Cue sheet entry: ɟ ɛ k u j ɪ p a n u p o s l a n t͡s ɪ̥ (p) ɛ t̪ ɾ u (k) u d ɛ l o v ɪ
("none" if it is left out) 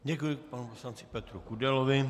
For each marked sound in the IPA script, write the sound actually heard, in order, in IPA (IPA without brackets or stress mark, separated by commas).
p, k